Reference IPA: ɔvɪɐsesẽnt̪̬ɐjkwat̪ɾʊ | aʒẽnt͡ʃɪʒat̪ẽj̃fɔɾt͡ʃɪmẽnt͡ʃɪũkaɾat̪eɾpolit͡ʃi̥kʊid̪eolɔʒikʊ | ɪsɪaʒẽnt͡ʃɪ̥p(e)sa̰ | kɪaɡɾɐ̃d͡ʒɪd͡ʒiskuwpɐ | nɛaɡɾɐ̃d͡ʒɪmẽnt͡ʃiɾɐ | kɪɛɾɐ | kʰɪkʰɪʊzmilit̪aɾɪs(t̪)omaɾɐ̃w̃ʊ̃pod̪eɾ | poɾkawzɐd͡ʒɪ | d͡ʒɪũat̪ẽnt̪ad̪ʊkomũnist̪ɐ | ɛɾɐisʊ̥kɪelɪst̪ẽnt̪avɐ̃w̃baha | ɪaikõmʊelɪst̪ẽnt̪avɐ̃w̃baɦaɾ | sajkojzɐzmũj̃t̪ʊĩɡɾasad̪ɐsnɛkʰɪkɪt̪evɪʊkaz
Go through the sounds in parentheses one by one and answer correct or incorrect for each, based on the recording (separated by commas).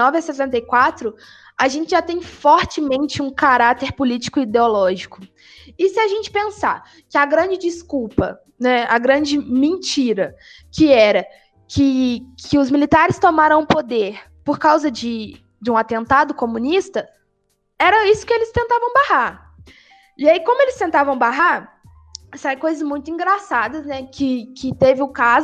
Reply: incorrect, correct